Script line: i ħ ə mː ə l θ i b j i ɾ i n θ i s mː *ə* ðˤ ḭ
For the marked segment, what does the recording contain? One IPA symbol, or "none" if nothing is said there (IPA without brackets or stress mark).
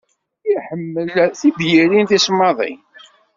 ɑ